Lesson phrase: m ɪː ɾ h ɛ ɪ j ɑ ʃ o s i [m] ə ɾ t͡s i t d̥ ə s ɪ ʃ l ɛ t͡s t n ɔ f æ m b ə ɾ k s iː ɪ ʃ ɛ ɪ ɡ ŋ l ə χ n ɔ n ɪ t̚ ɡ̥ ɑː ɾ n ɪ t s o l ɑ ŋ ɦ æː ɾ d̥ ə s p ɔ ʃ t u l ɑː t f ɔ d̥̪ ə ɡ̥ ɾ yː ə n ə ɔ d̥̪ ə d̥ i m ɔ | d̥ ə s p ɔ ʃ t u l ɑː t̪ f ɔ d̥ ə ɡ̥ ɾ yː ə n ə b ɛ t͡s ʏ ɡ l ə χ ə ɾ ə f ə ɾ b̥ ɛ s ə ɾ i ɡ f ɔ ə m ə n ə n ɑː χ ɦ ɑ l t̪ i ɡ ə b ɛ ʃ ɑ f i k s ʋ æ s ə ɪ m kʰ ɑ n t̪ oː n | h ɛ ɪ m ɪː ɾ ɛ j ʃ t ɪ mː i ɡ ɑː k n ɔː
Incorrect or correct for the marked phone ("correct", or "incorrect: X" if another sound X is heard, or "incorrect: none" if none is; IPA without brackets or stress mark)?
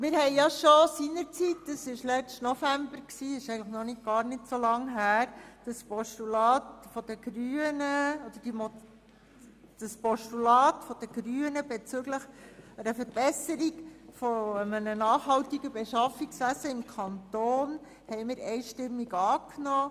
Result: incorrect: n